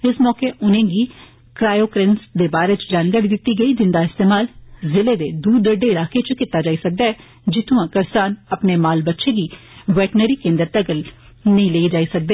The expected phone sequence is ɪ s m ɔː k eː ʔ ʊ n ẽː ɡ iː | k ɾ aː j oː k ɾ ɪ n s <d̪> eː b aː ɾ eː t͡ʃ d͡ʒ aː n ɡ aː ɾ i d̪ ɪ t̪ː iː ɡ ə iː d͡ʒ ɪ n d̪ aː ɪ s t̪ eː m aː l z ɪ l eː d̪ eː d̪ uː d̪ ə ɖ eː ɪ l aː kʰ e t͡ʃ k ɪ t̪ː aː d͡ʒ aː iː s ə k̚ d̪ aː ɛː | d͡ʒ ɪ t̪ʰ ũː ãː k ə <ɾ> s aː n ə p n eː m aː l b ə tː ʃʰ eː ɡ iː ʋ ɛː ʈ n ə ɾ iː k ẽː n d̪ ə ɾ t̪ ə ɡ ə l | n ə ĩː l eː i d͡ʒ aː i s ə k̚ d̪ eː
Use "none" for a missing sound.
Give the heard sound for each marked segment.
d̪, ɾ

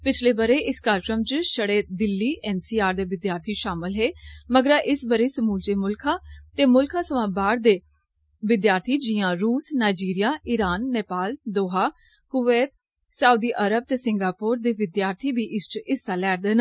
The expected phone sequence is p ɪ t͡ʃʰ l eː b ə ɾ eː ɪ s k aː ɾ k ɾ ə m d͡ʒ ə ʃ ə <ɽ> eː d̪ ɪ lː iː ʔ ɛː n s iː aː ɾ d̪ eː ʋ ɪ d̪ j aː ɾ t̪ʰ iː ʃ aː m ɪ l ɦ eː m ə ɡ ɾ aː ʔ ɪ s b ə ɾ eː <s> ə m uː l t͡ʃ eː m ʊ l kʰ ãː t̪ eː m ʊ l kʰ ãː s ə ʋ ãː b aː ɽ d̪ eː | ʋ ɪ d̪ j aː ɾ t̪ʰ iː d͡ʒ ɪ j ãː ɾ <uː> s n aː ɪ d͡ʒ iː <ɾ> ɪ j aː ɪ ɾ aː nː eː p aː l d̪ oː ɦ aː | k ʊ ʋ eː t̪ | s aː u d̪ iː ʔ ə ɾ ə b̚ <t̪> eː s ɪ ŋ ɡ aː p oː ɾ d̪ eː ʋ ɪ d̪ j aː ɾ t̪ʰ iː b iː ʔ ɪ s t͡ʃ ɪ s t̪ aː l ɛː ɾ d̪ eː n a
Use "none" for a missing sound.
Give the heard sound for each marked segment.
ɽ, s, uː, ɾ, t̪

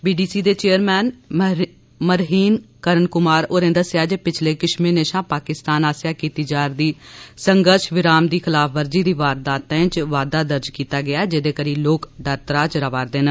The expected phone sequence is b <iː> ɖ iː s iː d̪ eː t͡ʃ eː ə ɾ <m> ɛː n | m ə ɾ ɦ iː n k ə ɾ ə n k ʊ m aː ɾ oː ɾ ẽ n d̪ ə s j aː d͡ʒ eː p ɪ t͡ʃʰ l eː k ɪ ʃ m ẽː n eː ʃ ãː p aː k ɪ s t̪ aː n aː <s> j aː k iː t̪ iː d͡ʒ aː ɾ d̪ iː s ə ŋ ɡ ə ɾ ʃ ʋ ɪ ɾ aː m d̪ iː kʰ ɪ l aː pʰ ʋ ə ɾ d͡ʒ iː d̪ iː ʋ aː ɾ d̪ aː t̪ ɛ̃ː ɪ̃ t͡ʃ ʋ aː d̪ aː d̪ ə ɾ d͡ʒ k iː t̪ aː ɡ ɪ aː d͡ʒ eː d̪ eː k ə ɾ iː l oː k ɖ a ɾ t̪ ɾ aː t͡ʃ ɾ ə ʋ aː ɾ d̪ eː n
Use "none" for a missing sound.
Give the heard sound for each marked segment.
iː, m, s

